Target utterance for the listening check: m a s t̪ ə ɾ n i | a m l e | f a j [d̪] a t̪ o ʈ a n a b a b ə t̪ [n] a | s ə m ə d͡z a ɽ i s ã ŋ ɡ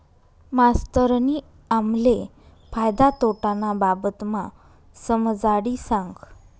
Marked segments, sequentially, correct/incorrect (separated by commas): correct, incorrect